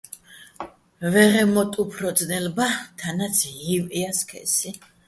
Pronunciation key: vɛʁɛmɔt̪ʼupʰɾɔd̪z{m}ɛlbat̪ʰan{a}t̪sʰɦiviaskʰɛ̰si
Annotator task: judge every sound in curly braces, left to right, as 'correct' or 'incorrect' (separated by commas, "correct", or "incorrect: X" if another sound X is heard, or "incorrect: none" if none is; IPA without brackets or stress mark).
incorrect: n, correct